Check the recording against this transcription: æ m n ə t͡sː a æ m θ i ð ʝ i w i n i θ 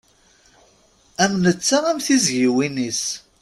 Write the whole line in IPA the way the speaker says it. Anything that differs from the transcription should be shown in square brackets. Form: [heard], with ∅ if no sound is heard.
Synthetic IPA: æ m n ə t͡sː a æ m θ i [z] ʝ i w i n i [s]